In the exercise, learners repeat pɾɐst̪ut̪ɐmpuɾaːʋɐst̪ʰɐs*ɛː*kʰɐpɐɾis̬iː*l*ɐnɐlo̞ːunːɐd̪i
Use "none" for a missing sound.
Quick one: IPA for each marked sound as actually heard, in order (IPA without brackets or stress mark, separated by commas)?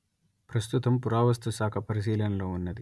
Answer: aː, l